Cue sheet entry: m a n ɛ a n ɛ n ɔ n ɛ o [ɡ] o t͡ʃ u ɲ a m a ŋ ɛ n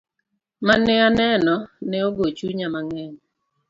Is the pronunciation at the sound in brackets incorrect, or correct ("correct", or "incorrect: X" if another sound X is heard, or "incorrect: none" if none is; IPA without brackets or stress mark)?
correct